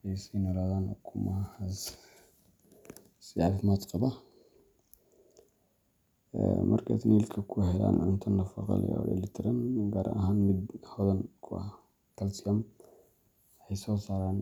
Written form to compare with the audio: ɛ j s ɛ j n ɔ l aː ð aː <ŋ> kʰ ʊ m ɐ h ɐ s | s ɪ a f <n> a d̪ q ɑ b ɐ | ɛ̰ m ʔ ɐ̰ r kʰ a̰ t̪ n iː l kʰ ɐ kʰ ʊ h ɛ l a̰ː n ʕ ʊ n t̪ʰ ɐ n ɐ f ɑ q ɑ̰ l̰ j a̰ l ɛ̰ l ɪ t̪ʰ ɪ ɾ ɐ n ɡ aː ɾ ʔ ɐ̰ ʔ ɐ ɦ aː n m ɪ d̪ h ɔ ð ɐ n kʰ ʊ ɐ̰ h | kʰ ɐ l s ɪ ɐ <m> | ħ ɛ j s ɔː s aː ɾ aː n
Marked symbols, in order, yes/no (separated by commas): no, no, yes